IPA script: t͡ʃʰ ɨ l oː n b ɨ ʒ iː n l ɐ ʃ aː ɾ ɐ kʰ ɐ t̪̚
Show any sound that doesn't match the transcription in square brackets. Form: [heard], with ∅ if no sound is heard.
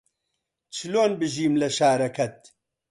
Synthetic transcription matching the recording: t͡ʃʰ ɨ l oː n b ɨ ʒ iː [m] l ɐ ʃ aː ɾ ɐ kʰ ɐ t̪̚